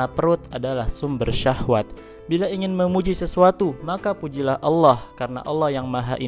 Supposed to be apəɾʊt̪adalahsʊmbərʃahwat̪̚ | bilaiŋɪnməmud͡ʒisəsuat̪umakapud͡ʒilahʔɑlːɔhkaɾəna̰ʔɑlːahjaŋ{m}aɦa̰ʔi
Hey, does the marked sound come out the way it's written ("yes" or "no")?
yes